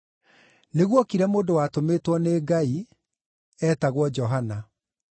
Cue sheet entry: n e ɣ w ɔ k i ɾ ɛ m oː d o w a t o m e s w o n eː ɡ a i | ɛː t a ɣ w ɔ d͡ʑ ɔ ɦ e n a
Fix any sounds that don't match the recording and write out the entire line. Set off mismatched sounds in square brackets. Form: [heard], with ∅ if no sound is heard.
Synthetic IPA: n e ɣ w ɔ k i ɾ ɛ m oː d o w a t o m e [t] w [ɔ] n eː ɡ a i | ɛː t a ɣ w ɔ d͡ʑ ɔ ɦ [a] n a